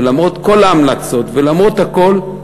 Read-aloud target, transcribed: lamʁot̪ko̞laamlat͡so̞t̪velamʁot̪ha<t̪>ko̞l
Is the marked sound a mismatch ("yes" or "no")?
yes